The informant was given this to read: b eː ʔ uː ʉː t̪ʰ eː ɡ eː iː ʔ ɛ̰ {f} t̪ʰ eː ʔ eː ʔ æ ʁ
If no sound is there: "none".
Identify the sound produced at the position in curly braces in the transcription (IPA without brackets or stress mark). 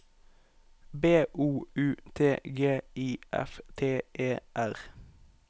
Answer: f